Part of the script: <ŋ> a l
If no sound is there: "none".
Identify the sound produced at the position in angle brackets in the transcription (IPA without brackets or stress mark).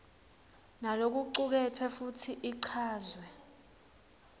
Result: n